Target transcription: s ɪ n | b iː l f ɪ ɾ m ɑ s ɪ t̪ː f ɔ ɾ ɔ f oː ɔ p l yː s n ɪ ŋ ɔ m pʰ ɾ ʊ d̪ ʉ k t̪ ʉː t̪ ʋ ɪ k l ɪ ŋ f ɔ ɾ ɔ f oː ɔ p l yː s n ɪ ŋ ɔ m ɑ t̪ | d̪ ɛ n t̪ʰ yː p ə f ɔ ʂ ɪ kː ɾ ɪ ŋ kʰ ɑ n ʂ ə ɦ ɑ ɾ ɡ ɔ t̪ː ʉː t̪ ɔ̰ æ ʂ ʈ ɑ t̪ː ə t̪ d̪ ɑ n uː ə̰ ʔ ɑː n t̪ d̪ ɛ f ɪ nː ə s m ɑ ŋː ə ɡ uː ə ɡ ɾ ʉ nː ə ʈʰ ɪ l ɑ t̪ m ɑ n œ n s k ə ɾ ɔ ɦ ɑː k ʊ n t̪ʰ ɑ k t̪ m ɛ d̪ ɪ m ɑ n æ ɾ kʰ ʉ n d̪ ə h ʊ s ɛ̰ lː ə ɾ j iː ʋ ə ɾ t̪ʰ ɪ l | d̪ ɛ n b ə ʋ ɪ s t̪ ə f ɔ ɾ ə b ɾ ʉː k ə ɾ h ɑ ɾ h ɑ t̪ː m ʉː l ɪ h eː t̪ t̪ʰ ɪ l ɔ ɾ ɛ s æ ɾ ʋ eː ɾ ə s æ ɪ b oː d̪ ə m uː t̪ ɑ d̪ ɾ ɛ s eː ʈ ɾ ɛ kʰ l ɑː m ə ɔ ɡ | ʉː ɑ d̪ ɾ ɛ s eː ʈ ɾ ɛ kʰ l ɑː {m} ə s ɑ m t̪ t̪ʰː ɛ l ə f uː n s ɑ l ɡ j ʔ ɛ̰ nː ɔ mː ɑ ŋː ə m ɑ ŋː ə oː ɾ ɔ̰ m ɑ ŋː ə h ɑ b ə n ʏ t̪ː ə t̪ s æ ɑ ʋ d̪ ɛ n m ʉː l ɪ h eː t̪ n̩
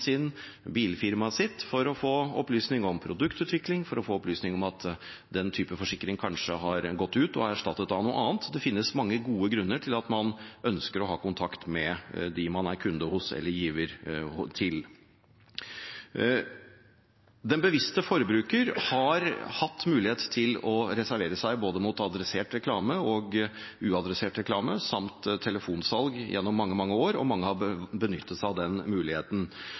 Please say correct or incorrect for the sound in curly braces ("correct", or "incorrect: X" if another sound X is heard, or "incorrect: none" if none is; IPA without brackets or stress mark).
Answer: correct